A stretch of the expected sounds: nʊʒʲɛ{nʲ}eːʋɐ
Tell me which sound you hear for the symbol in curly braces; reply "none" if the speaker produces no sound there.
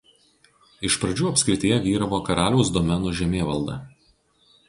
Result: mʲ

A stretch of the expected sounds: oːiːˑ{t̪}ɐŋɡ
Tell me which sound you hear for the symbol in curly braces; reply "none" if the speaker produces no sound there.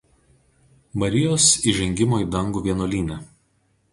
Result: d̪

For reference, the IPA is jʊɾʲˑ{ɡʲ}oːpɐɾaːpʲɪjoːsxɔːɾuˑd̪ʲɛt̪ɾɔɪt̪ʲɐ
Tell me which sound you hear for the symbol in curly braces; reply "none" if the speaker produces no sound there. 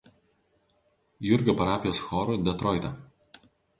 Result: ɡʲ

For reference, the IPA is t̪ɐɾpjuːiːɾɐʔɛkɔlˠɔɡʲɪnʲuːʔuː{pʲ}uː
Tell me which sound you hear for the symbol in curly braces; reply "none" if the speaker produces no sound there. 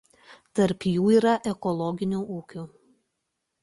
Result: kʲ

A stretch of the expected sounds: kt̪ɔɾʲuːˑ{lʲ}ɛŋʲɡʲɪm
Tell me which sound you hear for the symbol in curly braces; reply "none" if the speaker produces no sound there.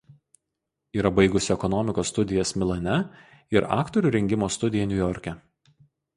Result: ɾʲ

